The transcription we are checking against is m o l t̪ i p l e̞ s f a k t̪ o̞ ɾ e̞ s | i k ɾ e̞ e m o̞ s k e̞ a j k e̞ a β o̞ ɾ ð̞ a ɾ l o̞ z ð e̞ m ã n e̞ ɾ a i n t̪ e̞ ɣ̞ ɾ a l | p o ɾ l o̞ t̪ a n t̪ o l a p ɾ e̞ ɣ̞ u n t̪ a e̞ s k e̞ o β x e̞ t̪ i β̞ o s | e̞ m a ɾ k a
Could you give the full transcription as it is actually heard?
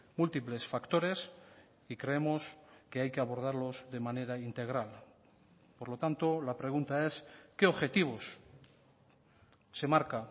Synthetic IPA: m u l t̪ i p l e̞ s f a k t̪ o̞ ɾ e̞ s | i k ɾ e̞ e m o̞ s k e̞ a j k e̞ a β o̞ ɾ ð̞ a ɾ l o̞ z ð e̞ m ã n e̞ ɾ a i n t̪ e̞ ɣ̞ ɾ a l | p o ɾ l o̞ t̪ a n t̪ o l a p ɾ e̞ ɣ̞ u n t̪ a e̞ s k e̞ o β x e̞ t̪ i β̞ o s | e̞ m a ɾ k a